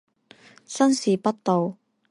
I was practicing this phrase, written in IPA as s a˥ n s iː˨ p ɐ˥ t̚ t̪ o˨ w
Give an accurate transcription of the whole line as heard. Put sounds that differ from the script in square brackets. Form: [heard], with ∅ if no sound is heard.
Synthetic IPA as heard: s [ɐ˥] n s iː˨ p ɐ˥ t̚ t̪ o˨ w